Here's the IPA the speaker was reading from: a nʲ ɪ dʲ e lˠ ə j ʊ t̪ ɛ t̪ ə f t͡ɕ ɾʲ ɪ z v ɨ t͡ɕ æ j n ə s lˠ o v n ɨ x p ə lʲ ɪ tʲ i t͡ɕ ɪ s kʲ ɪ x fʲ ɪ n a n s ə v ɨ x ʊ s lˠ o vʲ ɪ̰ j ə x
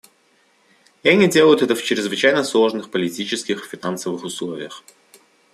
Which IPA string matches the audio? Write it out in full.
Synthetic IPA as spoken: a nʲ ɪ dʲ e lˠ ə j ʊ t̪ ɛ t̪ ə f t͡ɕ ɾʲ ɪ z v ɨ t͡ɕ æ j n ə s lˠ o ʐ n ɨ x p ə lʲ ɪ tʲ i t͡ɕ ɪ s kʲ ɪ x fʲ ɪ n a n s ə v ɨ x ʊ s lˠ o vʲ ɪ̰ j ə x

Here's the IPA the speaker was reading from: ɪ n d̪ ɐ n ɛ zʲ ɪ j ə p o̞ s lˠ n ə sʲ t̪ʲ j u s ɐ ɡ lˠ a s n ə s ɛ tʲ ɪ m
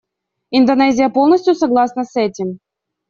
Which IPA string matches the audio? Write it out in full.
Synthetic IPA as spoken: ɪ n d̪ ɐ n ɛ zʲ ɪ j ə p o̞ lˠ n ə sʲ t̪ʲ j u s ɐ ɡ lˠ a s n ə s ɛ tʲ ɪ m

